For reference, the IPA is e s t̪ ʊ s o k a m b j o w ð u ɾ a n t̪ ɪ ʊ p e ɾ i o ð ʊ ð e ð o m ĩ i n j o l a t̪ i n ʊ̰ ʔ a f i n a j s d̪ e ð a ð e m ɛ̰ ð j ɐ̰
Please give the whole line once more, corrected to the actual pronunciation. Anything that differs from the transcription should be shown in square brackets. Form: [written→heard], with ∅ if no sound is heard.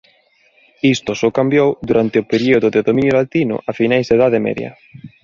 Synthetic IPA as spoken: [e→i] s t̪ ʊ s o k a m b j o w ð u ɾ a n t̪ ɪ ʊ p e ɾ i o ð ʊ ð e ð o m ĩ i n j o l a t̪ i n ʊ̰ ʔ a f i n a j [s→z] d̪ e ð a ð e m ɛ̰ ð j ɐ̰